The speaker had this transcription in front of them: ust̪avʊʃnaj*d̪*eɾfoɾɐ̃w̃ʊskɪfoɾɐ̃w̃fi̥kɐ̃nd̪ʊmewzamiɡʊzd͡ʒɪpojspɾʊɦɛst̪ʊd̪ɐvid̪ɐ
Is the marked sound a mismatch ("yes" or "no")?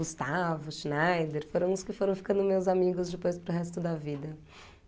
no